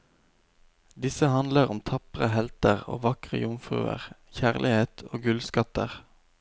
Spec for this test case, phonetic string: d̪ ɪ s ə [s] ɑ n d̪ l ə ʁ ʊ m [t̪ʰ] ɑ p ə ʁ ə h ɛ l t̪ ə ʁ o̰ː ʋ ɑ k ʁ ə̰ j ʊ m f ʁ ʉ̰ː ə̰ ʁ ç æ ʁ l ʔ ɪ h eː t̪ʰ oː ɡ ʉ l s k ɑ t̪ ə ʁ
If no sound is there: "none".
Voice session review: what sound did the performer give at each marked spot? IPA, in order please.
h, t̪ʰ

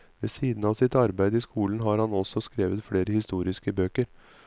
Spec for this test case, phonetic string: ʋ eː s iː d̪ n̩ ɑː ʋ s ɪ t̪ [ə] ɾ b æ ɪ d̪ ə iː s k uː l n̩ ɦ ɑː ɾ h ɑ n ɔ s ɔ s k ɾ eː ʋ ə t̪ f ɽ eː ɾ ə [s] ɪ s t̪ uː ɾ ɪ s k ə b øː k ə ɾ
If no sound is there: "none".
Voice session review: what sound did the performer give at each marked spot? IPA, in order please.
ɑ, h

